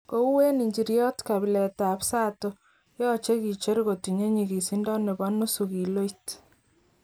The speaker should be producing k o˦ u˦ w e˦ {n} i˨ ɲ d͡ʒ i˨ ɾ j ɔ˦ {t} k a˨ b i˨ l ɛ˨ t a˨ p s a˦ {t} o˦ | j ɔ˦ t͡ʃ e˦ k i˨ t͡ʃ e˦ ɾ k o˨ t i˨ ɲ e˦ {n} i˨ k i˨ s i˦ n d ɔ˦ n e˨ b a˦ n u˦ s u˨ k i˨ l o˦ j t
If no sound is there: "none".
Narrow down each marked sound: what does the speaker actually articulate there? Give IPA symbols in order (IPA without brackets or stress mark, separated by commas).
n, t, t, ɲ